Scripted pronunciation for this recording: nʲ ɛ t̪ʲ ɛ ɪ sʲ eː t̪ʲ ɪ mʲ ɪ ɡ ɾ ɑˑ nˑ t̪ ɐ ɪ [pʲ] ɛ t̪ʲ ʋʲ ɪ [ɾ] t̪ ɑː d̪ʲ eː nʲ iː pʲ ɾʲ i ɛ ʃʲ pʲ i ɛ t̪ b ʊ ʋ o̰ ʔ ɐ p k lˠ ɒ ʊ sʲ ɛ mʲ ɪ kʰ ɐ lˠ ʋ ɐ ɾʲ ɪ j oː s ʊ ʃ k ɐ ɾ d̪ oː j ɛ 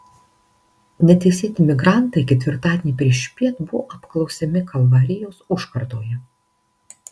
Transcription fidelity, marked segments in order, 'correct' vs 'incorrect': incorrect: kʲ, correct

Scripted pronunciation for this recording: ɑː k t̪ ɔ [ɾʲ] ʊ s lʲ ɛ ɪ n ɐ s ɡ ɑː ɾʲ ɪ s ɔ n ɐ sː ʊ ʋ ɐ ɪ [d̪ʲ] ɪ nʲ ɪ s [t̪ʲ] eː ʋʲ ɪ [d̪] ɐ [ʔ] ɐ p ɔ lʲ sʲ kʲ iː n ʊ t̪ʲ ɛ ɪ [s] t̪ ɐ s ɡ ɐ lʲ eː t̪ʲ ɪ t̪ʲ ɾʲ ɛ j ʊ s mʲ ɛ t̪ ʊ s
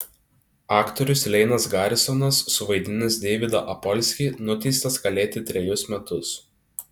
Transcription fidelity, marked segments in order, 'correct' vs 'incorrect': correct, correct, incorrect: d̪ʲ, correct, correct, correct

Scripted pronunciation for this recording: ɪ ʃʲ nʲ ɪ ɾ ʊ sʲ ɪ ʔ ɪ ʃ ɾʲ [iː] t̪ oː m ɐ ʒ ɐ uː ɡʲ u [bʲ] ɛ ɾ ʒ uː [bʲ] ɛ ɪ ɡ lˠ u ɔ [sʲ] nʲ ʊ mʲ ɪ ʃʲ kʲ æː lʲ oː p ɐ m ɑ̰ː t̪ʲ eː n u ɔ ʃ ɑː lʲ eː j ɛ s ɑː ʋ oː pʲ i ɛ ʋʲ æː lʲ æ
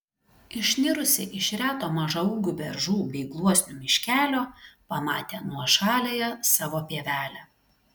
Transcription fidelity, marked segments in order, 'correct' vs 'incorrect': incorrect: æː, correct, correct, correct

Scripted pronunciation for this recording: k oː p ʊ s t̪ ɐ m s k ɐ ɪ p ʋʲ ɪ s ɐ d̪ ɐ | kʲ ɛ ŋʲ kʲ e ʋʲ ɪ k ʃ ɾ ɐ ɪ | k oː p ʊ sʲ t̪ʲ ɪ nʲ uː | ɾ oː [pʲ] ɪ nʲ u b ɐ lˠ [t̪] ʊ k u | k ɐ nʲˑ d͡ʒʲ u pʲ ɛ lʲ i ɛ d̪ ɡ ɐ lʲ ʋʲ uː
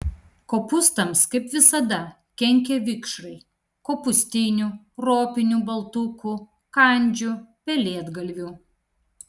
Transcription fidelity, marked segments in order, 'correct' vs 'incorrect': correct, correct

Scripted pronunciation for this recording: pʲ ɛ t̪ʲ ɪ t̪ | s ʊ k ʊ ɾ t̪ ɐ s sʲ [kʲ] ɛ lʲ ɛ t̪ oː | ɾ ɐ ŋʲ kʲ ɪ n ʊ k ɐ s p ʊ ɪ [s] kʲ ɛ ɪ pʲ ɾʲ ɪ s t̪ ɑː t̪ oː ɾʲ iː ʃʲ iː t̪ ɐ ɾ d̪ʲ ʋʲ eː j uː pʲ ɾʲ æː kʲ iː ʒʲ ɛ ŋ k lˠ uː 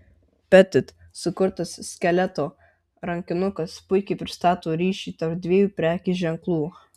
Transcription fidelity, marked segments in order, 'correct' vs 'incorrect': correct, incorrect: none

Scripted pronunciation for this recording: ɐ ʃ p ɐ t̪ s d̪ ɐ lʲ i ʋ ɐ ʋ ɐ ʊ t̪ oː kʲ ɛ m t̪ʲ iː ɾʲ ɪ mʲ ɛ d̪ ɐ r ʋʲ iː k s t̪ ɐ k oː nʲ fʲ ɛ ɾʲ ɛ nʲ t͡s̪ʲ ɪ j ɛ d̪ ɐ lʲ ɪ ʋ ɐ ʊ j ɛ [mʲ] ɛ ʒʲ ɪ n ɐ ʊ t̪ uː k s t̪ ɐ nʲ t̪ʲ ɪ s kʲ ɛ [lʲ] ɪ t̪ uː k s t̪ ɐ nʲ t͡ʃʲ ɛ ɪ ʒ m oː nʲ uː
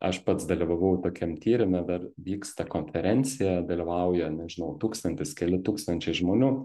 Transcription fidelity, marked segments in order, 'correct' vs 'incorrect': incorrect: nʲ, correct

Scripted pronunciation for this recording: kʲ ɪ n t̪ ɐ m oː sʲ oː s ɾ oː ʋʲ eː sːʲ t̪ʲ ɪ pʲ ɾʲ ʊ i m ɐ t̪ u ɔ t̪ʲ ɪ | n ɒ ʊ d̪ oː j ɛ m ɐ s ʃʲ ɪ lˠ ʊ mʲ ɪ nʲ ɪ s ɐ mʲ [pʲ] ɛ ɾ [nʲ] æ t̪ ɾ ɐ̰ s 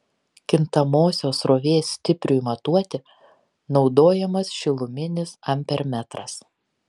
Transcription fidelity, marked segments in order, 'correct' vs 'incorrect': correct, incorrect: mʲ

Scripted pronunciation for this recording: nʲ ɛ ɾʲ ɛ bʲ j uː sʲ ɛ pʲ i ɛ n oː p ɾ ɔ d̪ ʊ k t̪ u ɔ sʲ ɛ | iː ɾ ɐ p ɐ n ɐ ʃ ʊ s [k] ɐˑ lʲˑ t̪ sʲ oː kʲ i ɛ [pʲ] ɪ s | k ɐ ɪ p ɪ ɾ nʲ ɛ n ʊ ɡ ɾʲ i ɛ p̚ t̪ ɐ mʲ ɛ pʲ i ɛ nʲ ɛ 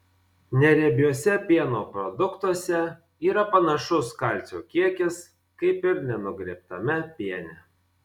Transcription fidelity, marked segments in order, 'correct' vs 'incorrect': correct, incorrect: kʲ

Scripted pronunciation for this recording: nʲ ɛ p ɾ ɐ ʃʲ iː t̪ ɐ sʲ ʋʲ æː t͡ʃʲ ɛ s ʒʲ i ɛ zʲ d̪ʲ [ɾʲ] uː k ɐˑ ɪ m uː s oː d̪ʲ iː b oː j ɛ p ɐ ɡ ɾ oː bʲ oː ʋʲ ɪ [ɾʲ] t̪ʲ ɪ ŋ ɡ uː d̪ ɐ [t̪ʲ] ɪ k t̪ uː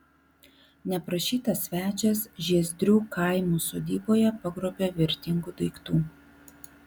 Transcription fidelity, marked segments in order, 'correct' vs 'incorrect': correct, correct, incorrect: none

